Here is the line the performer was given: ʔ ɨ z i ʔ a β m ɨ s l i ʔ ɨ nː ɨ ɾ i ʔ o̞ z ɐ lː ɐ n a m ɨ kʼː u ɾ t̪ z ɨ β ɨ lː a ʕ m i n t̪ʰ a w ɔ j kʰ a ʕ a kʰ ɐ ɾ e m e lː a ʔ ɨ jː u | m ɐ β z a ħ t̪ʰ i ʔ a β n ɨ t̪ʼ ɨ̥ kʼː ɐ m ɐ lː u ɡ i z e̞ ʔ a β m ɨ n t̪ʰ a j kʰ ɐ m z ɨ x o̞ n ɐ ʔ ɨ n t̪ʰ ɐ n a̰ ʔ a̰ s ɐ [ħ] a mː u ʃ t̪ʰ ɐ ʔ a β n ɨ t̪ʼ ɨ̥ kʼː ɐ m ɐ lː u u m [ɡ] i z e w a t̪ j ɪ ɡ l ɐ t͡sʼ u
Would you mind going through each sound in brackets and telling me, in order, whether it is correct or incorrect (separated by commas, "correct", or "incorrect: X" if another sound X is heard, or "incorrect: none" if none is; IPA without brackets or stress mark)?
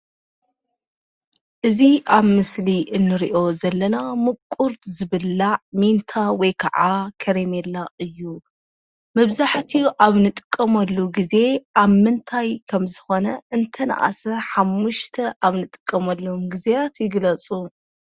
correct, correct